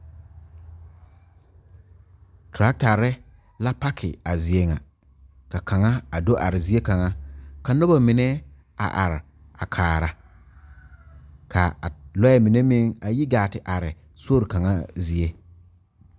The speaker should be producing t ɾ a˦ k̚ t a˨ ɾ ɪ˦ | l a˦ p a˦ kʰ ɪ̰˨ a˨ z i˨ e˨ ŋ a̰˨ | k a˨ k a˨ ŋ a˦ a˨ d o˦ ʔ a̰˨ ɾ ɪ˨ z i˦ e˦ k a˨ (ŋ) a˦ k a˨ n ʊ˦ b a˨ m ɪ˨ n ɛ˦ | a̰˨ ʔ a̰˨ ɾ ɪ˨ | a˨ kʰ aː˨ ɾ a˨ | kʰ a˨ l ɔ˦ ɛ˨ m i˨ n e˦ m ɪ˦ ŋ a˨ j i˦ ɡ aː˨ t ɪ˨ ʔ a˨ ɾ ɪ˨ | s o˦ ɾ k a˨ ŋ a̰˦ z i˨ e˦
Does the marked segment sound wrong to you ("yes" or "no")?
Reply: no